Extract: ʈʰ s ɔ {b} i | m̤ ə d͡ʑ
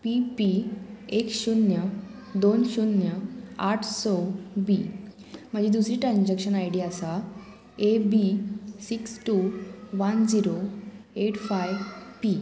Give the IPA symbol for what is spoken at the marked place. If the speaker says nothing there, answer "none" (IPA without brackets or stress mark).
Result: b